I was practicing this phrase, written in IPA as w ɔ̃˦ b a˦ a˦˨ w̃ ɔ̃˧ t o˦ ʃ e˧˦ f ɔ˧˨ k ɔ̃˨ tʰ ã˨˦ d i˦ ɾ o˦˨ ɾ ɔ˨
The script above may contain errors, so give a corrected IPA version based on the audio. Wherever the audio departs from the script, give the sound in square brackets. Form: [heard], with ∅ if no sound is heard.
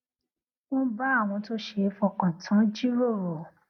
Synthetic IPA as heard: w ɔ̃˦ b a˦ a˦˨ w̃ ɔ̃˧ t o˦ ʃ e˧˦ f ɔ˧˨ k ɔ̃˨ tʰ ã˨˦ [d͡ʒ] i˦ ɾ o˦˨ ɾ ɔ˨